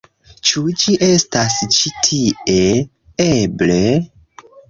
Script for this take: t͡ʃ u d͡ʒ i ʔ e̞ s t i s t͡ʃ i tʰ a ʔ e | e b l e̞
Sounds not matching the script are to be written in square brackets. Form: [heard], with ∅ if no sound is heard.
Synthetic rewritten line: t͡ʃ u d͡ʒ i ʔ e̞ s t [a] s t͡ʃ i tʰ [i] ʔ e | e b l e̞